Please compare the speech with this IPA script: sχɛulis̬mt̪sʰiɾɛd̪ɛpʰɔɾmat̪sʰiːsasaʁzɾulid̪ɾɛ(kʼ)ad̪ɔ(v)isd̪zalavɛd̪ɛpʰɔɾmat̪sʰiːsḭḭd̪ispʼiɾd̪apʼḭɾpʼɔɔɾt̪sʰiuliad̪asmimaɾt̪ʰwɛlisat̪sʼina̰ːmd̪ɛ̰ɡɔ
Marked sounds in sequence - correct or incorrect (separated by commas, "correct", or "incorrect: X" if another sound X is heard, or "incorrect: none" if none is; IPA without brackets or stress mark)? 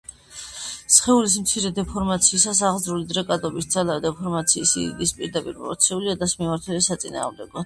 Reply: correct, incorrect: b